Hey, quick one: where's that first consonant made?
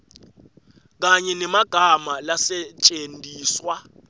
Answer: velum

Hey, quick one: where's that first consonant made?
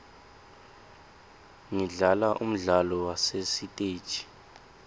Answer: velum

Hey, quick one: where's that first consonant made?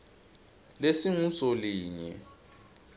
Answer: tongue tip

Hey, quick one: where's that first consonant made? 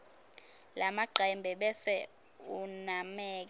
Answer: tongue tip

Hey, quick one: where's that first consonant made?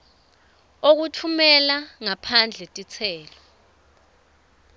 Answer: velum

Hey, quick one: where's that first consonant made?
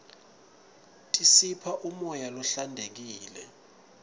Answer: tongue tip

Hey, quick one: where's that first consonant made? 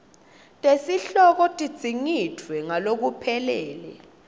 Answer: tongue tip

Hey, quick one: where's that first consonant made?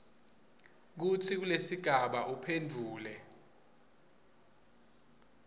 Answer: velum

